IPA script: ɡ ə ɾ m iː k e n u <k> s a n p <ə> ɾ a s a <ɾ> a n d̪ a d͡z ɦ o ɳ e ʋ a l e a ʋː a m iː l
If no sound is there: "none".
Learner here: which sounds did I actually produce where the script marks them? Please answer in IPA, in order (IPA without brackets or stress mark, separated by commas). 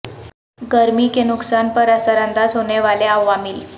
k, ə, ɾ